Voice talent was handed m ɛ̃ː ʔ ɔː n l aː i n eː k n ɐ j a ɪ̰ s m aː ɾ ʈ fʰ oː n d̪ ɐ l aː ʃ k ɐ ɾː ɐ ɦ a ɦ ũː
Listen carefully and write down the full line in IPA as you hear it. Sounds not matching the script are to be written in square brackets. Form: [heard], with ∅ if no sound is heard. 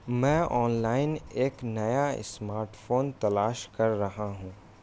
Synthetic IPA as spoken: m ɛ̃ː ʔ ɔː n l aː [ɪ] n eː k n ɐ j a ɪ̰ s m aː ɾ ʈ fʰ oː n [t̪] ɐ l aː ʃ k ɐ ɾː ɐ ɦ a ɦ ũː